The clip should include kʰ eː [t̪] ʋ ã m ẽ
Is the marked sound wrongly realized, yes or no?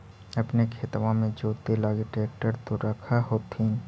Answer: no